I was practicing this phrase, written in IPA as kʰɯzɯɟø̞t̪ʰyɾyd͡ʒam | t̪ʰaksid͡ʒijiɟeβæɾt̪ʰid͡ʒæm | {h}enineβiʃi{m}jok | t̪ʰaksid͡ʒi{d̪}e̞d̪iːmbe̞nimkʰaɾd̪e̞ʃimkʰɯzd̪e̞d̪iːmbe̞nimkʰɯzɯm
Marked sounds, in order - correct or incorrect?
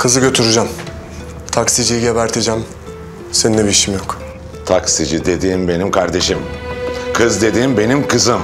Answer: incorrect: s, correct, correct

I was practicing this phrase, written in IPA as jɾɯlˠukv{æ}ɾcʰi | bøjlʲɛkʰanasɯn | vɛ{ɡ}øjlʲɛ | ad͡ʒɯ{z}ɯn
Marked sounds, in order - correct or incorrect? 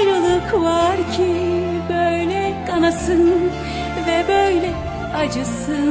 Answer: incorrect: a, incorrect: b, incorrect: s

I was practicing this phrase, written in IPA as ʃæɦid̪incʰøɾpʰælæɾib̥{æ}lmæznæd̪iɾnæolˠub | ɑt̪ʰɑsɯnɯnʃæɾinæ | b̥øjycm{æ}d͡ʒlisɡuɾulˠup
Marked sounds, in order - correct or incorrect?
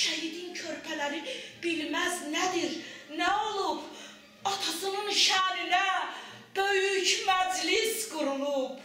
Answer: incorrect: i, correct

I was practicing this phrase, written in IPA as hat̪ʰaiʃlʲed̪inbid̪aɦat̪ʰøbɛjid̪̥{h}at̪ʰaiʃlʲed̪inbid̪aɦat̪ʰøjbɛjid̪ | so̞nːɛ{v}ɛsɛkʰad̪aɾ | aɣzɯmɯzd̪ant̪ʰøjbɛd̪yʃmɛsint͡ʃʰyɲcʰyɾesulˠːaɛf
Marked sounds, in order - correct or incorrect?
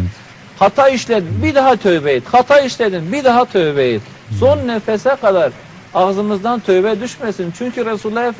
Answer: correct, incorrect: f

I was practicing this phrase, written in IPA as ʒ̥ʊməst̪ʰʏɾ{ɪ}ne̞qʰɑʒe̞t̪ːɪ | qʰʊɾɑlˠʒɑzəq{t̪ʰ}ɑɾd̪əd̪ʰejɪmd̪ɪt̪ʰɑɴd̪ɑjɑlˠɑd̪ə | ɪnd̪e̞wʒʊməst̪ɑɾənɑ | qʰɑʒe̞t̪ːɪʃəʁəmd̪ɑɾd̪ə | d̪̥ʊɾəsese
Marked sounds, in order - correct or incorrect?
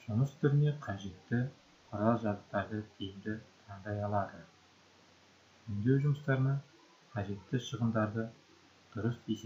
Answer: correct, incorrect: t̪

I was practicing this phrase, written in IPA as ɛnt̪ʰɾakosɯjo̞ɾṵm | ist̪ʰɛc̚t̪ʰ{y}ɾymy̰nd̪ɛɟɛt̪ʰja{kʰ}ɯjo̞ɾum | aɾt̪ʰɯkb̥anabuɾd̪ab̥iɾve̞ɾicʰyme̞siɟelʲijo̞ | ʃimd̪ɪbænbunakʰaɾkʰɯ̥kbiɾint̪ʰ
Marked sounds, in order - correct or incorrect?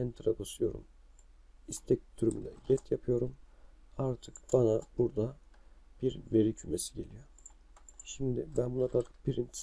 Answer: correct, incorrect: pʰ

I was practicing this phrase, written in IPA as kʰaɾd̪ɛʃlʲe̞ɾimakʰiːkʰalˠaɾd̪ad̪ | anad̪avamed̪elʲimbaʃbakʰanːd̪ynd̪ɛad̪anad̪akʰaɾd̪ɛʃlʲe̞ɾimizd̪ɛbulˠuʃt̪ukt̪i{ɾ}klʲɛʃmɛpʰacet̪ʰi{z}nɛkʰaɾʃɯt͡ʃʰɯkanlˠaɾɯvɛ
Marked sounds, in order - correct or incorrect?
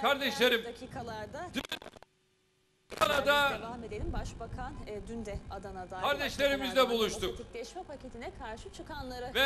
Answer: incorrect: none, incorrect: none

